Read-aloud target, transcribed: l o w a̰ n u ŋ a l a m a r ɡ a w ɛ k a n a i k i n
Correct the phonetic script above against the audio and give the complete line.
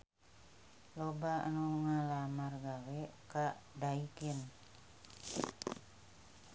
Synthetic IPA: l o b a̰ n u ŋ a l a m a r ɡ a w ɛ k a d a i k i n